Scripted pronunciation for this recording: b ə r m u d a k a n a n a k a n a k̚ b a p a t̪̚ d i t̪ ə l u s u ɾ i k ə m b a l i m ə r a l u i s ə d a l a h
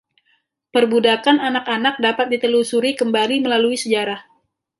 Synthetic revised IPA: p ə r b u d a k a n a n a k a n a k̚ d a p a t̪̚ d i t̪ ə l u s u ɾ i k ə m b a l i m ə l a l u i s ə d͡ʒ a ɾ a h